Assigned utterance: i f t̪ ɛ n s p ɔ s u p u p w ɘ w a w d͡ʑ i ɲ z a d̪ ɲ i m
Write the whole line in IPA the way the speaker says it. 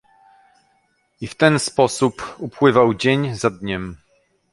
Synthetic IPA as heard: i f t̪ ɛ n s p ɔ s u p u p w ɘ v a w d͡ʑ e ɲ z a d̪ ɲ ɛ m